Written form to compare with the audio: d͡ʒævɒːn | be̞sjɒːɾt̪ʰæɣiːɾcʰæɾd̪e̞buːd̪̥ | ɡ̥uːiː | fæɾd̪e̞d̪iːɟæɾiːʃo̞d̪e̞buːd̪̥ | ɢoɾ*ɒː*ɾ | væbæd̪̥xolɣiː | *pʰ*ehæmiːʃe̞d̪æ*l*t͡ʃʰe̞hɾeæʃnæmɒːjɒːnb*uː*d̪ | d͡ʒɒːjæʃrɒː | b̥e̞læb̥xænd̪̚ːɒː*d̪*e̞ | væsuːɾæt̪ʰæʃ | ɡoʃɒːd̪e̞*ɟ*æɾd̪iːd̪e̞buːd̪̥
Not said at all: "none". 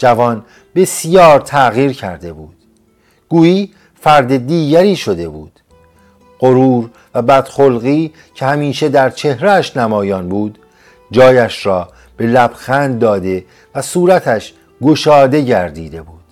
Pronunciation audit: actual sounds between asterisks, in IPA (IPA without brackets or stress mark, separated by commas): uː, cʰ, ɾ, uː, d̪, ɟ